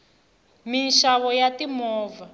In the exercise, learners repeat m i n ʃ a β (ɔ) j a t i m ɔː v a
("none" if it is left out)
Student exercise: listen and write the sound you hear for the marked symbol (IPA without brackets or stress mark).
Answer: ɔ